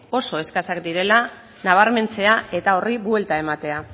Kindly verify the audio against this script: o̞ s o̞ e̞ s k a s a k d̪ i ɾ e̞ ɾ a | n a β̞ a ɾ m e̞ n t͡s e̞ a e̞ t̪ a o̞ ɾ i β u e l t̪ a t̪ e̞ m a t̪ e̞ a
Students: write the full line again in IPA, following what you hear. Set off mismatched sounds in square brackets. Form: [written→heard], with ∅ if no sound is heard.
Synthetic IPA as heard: o̞ s o̞ e̞ s k a s a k d̪ i ɾ e̞ [ɾ→l] a | n a β̞ a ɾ m e̞ n t͡s e̞ a e̞ t̪ a o̞ [ɾ→r] i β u e l t̪ a [t̪→∅] e̞ m a t̪ e̞ a